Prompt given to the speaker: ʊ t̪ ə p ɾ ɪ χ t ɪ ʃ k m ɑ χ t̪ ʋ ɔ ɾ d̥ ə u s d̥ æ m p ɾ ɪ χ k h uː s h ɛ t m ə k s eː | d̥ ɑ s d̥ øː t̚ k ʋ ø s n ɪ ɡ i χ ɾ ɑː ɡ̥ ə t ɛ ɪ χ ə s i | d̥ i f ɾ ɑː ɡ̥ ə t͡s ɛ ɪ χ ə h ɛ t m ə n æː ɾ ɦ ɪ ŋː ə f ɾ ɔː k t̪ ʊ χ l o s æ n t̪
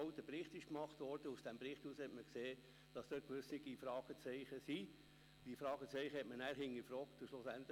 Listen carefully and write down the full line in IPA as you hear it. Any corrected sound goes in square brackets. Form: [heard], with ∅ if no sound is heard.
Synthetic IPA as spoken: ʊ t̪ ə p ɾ ɪ χ t ɪ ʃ k m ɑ χ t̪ ʋ ɔ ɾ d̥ ə u s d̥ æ m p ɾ ɪ χ [t] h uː s h ɛ t m ə k s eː | d̥ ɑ s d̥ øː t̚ k ʋ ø s n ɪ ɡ i [f] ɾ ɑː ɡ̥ ə [t͡s] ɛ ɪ χ ə s i | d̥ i f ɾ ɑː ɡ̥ ə t͡s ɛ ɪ χ ə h ɛ t m ə n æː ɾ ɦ ɪ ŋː ə f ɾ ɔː k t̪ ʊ [ʃ] l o s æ n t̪